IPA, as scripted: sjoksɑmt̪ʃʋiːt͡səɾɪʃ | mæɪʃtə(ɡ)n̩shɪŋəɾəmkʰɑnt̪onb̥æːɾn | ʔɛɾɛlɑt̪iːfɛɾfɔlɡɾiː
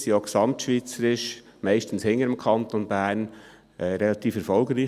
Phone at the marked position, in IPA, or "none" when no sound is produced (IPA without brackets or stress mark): none